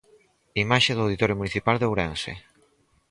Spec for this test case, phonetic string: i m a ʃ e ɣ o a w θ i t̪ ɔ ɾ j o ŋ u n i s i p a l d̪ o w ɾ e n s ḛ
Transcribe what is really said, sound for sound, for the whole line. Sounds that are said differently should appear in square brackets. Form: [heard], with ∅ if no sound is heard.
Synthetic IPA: i m a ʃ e [ð] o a w [ð] i t̪ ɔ ɾ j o [m] u n i [θ] i p a l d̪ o w ɾ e n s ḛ